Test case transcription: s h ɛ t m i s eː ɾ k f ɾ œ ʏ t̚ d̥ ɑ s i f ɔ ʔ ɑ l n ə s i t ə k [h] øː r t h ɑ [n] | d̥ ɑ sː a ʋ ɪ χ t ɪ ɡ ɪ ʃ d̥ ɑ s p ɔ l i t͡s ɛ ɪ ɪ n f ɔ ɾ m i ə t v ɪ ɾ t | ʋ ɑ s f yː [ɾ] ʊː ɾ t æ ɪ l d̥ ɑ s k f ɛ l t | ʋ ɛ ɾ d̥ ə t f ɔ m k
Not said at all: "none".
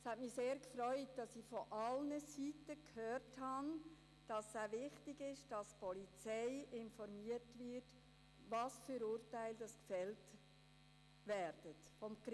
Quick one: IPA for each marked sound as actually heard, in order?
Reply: h, n, ɾ

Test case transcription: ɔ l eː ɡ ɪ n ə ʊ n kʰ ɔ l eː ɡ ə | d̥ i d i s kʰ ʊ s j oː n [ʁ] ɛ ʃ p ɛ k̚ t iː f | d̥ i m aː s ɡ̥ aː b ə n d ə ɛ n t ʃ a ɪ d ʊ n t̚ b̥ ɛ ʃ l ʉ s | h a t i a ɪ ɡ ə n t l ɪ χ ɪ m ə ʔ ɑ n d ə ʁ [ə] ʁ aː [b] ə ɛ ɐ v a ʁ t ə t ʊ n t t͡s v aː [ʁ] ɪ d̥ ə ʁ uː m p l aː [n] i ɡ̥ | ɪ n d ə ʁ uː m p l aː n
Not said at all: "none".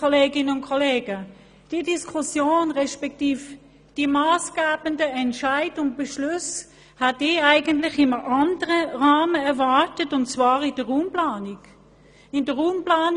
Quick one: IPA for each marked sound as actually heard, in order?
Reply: ʁ, ə, m, ʁ, n

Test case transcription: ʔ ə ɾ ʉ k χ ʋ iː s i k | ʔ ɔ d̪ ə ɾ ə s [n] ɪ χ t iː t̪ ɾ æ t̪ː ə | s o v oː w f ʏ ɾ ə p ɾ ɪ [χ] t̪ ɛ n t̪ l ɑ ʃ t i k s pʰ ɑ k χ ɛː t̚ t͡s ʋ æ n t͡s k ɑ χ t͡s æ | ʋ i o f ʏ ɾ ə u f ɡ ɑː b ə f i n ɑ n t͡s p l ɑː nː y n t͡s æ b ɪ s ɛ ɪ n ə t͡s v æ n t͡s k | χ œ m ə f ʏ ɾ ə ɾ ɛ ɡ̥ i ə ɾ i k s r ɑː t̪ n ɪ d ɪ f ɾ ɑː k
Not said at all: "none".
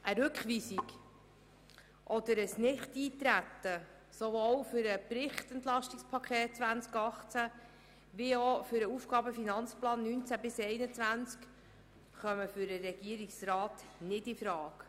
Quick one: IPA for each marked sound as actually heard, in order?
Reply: n, χ

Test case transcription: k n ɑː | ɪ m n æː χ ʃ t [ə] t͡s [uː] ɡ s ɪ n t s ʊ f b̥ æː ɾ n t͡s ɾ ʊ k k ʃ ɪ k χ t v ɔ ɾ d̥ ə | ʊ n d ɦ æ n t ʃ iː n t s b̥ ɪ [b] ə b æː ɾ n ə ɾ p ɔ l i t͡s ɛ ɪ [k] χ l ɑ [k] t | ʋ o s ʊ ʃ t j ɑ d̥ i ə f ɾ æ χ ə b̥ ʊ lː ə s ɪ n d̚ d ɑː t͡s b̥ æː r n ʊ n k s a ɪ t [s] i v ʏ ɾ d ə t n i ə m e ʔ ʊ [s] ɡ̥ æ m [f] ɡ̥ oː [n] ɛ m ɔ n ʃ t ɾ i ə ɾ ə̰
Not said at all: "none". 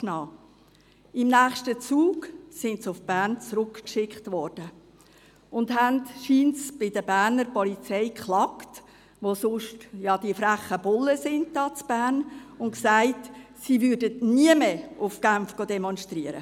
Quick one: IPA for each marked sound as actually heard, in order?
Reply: ə, uː, d, k, k, s, f, f, d

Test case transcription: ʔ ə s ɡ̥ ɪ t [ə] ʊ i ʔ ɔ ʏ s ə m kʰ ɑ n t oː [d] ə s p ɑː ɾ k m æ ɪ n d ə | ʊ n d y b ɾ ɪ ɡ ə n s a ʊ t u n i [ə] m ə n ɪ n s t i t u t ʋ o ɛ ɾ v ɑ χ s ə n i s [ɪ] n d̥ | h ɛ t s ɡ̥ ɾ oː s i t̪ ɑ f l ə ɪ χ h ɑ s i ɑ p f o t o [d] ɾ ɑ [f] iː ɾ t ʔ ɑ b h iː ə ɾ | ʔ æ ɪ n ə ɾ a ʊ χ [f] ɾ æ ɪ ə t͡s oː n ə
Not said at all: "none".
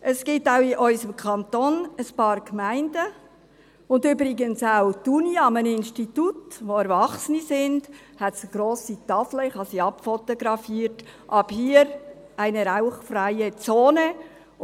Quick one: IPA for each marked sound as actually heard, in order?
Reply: a, n, ɑ, ɪ, ɡ, f, f

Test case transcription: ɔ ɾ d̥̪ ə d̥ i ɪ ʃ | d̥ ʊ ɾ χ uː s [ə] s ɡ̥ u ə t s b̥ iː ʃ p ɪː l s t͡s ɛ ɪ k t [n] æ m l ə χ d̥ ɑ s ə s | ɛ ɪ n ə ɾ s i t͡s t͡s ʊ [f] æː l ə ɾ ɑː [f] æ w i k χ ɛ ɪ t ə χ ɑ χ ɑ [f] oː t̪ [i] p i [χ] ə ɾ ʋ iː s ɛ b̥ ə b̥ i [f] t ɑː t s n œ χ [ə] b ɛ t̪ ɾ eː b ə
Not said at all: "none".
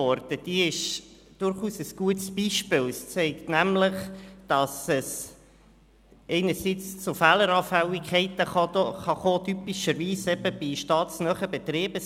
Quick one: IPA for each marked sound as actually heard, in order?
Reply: ə, n, f, f, χ, y, ʃ, ʃ, ə

